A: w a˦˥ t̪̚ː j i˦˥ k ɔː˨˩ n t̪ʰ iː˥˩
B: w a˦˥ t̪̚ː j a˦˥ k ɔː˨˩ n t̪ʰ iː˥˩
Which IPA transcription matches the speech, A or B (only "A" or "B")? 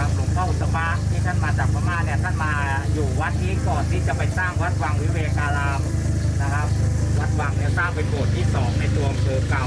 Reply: A